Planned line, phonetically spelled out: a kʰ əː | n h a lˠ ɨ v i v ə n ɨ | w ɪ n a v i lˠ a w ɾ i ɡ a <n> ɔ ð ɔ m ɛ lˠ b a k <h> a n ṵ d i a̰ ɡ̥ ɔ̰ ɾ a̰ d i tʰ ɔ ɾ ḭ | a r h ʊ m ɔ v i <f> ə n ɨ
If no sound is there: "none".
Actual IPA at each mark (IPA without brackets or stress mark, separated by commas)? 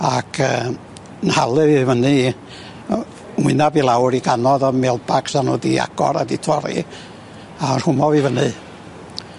n, s, v